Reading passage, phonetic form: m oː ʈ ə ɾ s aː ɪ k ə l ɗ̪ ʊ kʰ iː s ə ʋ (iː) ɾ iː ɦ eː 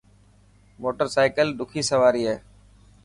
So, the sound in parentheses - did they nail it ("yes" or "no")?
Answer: no